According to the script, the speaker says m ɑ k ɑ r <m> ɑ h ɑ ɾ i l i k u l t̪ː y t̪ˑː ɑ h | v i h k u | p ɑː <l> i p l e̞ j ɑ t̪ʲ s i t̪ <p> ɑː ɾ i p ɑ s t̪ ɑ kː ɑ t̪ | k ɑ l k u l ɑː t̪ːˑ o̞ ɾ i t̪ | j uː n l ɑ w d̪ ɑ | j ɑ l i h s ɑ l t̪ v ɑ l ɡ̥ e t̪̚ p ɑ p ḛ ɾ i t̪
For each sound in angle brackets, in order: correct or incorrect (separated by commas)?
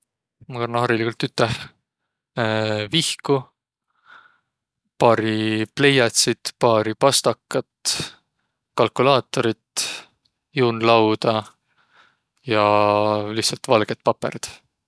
incorrect, incorrect, correct